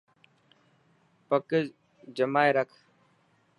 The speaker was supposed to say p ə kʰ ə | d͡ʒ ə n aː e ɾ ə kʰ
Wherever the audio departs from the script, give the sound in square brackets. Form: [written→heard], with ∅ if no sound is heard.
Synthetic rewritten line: p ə [kʰ→k] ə | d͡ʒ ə [n→m] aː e ɾ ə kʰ